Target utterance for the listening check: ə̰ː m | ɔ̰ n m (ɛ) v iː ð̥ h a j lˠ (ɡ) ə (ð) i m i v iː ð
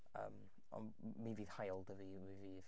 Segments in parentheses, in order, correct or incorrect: incorrect: i, incorrect: d, incorrect: v

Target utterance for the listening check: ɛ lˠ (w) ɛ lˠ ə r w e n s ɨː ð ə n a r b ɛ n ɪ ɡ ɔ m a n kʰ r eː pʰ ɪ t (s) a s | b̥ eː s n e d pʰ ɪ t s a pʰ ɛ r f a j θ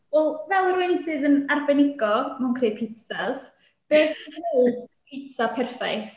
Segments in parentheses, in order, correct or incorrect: incorrect: v, correct

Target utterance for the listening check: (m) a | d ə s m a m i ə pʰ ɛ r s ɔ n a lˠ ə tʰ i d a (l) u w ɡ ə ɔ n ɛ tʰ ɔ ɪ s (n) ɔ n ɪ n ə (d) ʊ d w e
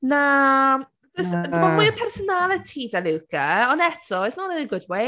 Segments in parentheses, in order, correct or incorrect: incorrect: n, correct, correct, incorrect: ɡ

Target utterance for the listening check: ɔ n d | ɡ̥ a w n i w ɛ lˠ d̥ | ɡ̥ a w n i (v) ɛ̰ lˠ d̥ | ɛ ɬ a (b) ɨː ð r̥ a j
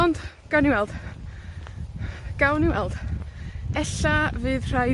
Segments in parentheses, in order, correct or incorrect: incorrect: w, incorrect: v

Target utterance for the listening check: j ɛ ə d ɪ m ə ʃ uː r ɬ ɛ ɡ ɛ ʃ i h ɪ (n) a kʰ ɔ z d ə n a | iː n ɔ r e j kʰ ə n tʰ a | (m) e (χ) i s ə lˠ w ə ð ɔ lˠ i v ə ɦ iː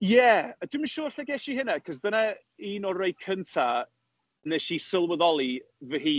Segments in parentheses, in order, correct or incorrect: correct, incorrect: n, incorrect: ʃ

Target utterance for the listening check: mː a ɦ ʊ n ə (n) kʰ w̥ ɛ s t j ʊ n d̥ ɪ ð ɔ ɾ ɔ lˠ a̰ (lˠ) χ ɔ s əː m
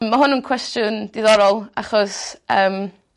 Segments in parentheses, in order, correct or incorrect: correct, incorrect: none

